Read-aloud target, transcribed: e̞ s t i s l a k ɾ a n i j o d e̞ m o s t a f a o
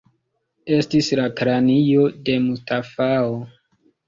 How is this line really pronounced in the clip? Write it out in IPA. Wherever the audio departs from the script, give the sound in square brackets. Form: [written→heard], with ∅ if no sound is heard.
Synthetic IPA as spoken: e̞ s t i s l a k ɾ a n i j o d e̞ m [o→u] s t a f a o